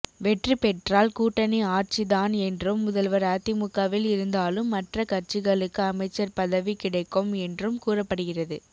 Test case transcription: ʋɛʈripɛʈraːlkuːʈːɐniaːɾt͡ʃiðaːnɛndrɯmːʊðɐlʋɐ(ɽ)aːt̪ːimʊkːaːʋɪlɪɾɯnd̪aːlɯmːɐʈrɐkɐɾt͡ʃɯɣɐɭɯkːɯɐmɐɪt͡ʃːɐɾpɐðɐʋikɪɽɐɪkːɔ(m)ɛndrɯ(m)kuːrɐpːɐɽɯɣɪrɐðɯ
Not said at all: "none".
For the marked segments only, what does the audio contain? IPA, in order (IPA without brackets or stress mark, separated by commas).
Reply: ɾ, m, m